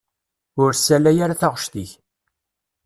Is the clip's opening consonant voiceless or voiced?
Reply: voiced